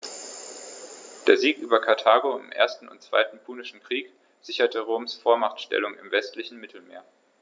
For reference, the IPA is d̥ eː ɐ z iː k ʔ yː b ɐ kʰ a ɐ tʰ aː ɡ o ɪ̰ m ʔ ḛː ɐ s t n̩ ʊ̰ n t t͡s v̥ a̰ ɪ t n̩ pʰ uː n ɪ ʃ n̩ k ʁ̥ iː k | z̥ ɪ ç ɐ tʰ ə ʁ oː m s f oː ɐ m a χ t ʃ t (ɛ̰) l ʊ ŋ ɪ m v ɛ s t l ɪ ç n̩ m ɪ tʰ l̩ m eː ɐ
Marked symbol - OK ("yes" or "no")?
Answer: yes